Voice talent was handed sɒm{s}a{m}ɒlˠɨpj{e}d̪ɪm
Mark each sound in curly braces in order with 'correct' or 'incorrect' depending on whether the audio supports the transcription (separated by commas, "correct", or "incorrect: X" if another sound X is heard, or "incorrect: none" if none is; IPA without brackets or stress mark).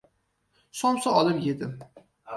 correct, incorrect: none, correct